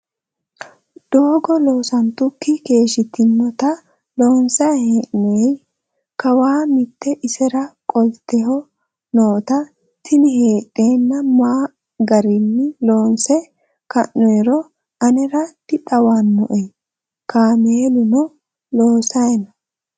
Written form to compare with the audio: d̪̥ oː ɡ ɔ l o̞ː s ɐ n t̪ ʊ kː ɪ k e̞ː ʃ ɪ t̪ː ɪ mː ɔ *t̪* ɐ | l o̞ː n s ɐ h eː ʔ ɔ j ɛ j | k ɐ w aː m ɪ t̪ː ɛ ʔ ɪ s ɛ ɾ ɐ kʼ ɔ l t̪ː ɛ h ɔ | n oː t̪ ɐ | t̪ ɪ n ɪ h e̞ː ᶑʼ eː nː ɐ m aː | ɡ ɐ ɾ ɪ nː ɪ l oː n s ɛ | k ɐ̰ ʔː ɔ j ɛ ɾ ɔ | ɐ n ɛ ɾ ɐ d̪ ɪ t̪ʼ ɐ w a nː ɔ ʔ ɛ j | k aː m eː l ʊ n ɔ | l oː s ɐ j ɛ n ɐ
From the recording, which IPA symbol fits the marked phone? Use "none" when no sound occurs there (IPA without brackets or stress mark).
t̪